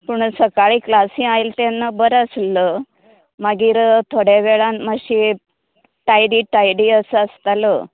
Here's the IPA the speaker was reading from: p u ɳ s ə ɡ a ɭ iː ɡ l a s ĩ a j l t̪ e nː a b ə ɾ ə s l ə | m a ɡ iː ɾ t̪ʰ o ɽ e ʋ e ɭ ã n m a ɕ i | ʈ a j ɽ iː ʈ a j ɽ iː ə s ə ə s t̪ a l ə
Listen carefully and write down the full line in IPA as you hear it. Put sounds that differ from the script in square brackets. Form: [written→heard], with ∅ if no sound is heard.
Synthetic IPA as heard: p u ɳ s ə [ɡ→k] a ɭ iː [ɡ→k] l a s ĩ a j l t̪ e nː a b ə ɾ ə s l ə | m a ɡ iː ɾ t̪ʰ o ɽ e ʋ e ɭ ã n m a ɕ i | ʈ a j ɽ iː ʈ a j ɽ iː ə s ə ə s t̪ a l ə